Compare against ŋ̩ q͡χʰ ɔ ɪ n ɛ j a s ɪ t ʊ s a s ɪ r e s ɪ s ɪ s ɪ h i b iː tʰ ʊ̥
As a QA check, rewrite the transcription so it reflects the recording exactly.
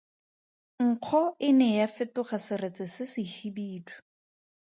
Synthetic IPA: ŋ̩ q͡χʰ ɔ ɪ n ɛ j a f ɪ t ʊ χ a s ɪ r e t͡s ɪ s ɪ s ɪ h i b iː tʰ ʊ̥